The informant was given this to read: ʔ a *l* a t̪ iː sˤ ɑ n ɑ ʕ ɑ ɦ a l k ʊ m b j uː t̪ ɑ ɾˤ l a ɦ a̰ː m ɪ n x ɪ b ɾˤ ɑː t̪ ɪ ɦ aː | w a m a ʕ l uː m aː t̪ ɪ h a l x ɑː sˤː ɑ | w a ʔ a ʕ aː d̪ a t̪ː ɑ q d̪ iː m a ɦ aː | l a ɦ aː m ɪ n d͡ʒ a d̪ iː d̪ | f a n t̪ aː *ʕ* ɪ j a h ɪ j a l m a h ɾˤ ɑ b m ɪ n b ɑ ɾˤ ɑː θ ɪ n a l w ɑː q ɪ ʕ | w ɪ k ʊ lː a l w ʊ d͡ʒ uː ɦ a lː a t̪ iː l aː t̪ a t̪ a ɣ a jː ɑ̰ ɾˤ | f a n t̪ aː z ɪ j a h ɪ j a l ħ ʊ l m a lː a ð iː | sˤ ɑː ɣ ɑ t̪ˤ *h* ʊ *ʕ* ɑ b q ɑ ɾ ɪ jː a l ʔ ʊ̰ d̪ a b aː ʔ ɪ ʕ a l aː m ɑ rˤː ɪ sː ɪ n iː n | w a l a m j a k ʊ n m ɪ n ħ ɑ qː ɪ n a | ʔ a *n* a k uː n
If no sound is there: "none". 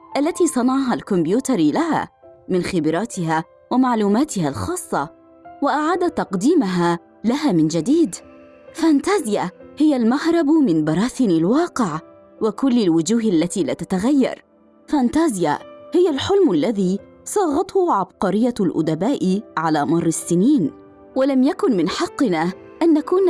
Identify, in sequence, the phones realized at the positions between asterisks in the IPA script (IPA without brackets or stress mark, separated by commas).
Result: lː, z, h, ʕ, nː